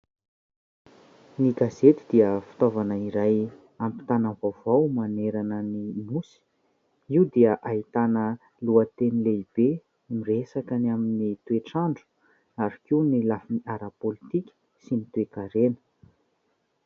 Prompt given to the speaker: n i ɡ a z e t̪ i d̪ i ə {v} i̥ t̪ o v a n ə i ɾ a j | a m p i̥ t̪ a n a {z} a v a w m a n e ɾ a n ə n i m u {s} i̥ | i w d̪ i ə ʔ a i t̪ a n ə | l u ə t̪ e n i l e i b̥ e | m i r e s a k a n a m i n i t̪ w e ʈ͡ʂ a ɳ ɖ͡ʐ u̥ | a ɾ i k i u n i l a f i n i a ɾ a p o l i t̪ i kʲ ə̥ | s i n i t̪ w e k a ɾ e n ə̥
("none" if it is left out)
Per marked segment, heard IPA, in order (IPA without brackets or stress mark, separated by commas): f, v, s